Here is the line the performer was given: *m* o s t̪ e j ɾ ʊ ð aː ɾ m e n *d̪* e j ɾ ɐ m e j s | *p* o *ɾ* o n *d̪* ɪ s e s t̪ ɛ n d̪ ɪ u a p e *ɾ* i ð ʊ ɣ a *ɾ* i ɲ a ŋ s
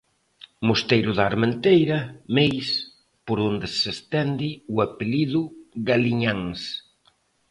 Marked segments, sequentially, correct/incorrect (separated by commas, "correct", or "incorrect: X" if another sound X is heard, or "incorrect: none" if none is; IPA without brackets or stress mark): correct, incorrect: t̪, correct, correct, correct, incorrect: l, incorrect: l